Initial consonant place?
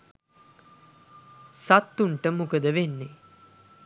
alveolar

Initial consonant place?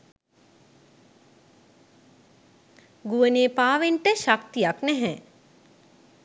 velar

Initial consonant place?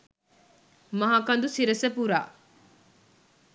labial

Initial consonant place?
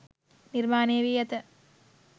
alveolar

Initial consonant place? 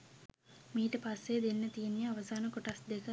labial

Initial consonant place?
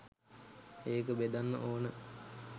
velar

